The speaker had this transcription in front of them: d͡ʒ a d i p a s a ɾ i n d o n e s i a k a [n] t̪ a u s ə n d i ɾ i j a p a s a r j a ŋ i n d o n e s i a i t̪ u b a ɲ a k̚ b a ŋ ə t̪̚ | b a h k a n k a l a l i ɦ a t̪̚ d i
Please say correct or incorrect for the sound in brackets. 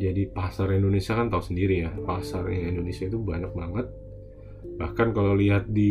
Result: correct